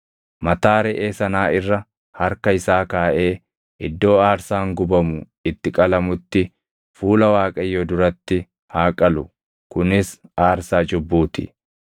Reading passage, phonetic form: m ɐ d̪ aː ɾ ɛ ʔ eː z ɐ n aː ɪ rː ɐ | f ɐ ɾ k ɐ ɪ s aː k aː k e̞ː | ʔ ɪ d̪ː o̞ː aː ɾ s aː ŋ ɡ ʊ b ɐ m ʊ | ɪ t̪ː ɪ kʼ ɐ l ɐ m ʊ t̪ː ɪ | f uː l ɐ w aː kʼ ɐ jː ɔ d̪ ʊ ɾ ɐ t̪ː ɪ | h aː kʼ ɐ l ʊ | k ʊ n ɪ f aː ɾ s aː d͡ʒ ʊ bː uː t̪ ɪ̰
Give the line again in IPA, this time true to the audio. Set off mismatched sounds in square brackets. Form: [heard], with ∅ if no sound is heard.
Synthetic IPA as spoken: m ɐ [t̪] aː ɾ ɛ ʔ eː [s] ɐ n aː ɪ rː ɐ | [h] ɐ ɾ k ɐ ɪ s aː k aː [ʔ] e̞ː | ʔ ɪ d̪ː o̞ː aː ɾ s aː ŋ ɡ ʊ b ɐ m ʊ | ɪ t̪ː ɪ kʼ ɐ l ɐ m ʊ t̪ː ɪ | f uː l ɐ w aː kʼ ɐ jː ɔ d̪ ʊ ɾ ɐ t̪ː ɪ | h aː kʼ ɐ l ʊ | k ʊ n ɪ [s] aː ɾ s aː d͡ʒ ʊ bː uː t̪ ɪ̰